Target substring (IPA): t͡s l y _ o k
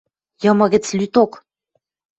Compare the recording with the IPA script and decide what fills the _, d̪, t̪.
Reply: t̪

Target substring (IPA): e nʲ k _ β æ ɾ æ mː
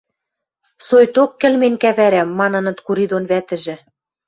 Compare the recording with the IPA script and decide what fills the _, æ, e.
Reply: æ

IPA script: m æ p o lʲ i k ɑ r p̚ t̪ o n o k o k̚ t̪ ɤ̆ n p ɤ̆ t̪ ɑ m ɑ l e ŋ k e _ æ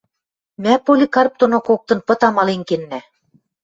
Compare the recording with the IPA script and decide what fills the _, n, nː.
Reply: nː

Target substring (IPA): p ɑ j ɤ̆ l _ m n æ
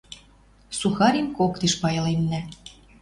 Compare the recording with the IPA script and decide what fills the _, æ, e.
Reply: e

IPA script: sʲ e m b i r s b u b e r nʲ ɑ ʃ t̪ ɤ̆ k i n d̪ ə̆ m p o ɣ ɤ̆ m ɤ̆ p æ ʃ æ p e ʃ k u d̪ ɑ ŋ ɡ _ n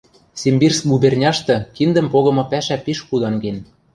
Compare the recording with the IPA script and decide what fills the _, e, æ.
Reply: e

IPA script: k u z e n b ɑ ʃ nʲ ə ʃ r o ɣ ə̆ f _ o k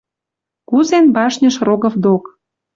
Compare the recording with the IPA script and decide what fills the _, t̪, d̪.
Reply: d̪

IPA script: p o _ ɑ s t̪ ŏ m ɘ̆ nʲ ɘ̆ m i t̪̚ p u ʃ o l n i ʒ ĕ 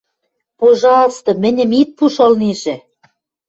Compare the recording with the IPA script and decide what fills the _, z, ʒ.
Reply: ʒ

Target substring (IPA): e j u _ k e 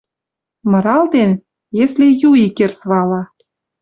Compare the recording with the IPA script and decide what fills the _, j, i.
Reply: i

